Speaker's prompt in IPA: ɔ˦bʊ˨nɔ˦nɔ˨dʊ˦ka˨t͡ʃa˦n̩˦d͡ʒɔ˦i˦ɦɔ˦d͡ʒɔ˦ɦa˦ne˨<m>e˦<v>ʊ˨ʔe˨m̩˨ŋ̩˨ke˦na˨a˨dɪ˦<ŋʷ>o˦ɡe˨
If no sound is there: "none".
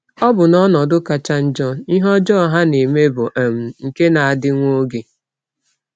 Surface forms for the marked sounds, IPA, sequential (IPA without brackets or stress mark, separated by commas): m, b, ŋʷ